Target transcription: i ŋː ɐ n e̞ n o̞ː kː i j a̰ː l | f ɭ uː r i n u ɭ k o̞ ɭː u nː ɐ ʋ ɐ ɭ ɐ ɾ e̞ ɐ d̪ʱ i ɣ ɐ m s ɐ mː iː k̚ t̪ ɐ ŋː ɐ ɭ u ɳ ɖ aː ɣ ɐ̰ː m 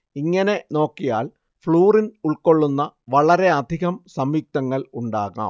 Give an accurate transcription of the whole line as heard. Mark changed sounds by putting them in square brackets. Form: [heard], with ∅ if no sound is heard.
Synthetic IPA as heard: i ŋː ɐ n e̞ n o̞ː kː i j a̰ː l | f ɭ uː r i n u ɭ k o̞ ɭː u nː ɐ ʋ ɐ ɭ ɐ ɾ e̞ ɐ d̪ʱ i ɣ ɐ m s ɐ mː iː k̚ t̪ ɐ ŋː ɐ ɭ u ɳ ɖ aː ɣ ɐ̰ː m